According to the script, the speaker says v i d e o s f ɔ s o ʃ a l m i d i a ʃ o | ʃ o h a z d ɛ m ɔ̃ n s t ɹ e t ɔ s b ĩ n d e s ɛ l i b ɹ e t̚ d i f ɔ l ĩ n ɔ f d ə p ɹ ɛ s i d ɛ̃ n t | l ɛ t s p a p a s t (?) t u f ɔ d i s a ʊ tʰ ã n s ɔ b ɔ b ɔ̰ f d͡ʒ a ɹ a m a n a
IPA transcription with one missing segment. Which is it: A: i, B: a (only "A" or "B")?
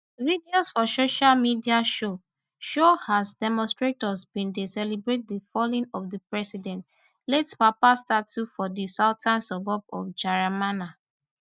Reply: B